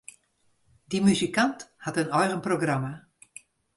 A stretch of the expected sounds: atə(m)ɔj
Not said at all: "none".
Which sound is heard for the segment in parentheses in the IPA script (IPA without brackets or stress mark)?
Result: n